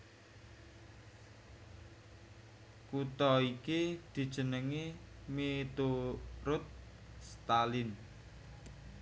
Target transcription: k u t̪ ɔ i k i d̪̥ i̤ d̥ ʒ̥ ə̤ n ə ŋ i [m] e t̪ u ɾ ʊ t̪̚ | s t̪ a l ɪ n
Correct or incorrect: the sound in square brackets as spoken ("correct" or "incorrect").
correct